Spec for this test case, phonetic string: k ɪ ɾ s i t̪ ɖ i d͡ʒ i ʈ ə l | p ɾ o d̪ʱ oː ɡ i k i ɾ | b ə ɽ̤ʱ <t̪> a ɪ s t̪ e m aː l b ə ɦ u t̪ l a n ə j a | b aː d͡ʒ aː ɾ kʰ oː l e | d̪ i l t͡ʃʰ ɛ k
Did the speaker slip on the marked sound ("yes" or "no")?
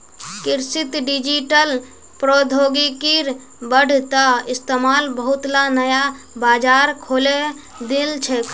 no